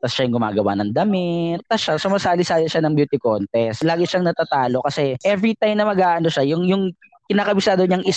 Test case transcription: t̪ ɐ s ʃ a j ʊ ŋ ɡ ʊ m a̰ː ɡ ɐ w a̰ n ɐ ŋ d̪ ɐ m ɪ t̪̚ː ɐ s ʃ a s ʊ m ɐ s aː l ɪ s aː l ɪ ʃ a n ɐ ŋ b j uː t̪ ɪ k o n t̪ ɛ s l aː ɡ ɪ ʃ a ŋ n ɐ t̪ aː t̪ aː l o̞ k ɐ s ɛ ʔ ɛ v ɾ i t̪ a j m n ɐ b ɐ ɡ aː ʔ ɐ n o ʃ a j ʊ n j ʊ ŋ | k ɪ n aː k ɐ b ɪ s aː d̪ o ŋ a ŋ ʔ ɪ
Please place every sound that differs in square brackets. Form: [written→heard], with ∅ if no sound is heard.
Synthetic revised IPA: t̪ ɐ s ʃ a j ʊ ŋ ɡ ʊ m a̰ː ɡ ɐ w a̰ n ɐ ŋ d̪ ɐ m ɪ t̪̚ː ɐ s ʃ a s ʊ m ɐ s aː l ɪ s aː l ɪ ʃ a n ɐ ŋ b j uː t̪ ɪ k o n t̪ ɛ s l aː ɡ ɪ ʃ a ŋ n ɐ t̪ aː t̪ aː l o̞ k ɐ s ɛ ʔ ɛ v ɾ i t̪ a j m n ɐ [b→m] ɐ ɡ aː ʔ ɐ n o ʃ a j ʊ [n→ŋ] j ʊ ŋ | k ɪ n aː k ɐ b ɪ s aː d̪ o [ŋ→ɲ] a ŋ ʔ ɪ